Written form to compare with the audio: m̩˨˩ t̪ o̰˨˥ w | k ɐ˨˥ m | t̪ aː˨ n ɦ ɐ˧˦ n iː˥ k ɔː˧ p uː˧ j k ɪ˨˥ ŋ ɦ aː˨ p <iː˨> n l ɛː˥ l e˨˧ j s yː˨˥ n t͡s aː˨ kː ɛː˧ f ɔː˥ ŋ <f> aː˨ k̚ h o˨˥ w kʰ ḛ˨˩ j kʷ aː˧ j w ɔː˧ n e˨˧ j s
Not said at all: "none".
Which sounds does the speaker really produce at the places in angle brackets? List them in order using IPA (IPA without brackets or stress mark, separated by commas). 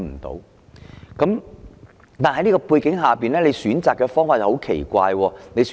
iː˨, f